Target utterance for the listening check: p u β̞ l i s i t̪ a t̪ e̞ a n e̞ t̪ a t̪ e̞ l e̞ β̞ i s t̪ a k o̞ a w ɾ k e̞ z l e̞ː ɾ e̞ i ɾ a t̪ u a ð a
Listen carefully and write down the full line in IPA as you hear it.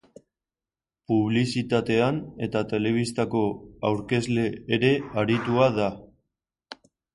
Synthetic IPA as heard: p u β̞ l i s i t̪ a t̪ e̞ a n e̞ t̪ a t̪ e̞ l e̞ β̞ i s t̪ a k o̞ a w ɾ k e̞ z l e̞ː ɾ e̞ a ɾ i t̪ u a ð a